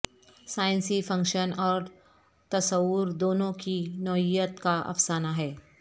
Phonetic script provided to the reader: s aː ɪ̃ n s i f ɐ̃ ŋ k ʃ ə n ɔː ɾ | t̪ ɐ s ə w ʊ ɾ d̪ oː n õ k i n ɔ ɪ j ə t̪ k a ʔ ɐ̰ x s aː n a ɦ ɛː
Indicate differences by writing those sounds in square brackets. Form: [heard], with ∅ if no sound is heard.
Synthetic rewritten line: s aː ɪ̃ n s i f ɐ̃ ŋ k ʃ ə n ɔː ɾ | t̪ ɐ s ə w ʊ ɾ d̪ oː n õ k i n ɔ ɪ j ə t̪ k a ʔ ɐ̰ [f] s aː n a ɦ ɛː